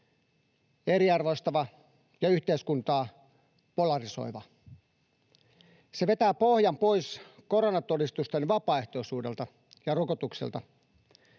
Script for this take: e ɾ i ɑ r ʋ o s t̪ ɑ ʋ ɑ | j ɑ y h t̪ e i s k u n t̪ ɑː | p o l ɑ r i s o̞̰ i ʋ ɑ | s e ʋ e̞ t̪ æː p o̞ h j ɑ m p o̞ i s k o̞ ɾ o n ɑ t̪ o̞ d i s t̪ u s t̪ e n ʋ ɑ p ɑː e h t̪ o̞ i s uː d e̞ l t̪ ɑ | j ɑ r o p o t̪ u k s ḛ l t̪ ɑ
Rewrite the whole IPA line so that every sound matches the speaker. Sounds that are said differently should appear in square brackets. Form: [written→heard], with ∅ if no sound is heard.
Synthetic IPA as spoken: e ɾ i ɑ r ʋ o s t̪ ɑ ʋ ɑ | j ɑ y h t̪ e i s k u n t̪ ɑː | p o l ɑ r i s o̞̰ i ʋ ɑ | s e ʋ e̞ t̪ æː p o̞ h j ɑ m p o̞ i s k o̞ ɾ o n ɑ t̪ o̞ d i s t̪ u s t̪ e n ʋ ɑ p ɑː e h t̪ o̞ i s uː d e̞ l t̪ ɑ | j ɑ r o [p→k] o t̪ u k s ḛ l t̪ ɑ